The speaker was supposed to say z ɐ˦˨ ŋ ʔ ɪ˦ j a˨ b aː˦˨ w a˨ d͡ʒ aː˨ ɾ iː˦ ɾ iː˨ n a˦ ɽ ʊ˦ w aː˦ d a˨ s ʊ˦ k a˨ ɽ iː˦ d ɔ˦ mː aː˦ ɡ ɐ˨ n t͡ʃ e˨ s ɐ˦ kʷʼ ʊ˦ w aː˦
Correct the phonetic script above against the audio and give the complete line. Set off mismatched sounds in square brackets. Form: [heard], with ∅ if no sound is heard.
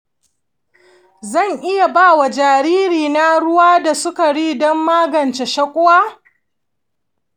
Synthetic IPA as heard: z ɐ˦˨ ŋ ʔ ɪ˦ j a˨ b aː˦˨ w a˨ d͡ʒ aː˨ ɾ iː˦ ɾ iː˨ n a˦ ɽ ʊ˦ w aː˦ d a˨ s ʊ˦ k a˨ ɽ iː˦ d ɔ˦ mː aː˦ ɡ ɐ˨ n t͡ʃ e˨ [ʃ] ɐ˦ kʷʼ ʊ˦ w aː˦